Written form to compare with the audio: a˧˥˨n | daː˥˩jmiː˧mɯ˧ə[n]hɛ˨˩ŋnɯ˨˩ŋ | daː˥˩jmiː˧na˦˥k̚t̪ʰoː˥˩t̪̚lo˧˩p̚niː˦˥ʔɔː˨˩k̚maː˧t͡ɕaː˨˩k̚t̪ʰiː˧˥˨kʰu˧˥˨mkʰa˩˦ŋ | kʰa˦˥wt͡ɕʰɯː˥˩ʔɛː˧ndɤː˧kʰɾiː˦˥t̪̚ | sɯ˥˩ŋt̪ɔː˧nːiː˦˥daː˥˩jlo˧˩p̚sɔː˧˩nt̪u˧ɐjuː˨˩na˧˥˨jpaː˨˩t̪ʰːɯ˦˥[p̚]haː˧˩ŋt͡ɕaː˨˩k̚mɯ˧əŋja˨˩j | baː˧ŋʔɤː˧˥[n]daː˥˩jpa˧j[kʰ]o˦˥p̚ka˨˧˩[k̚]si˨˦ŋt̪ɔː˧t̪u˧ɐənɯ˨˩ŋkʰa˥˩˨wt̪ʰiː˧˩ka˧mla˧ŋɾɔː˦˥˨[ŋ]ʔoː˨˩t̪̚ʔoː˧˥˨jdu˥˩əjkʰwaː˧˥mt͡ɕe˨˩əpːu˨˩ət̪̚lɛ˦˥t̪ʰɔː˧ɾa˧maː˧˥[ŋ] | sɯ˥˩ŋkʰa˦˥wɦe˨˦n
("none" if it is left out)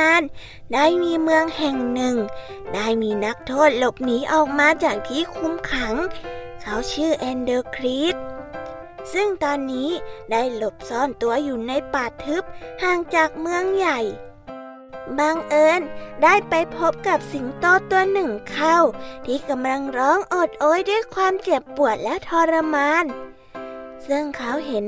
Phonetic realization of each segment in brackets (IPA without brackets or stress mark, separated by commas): ŋ, p̚, n, pʰ, p̚, ŋ, n